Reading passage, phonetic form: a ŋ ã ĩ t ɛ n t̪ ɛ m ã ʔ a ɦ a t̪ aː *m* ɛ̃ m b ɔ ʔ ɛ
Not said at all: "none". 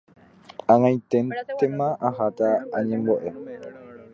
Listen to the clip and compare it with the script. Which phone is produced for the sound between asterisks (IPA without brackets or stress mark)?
ɲ